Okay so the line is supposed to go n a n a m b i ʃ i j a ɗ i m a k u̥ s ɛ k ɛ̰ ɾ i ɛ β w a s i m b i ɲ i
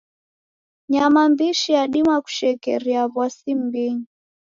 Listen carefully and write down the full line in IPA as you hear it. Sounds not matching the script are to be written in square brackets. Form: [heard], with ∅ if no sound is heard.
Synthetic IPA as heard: [ɲ] a [m] a m b i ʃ i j a ɗ i m a k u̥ [ʃ] ɛ k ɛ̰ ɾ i [a] β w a s i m b i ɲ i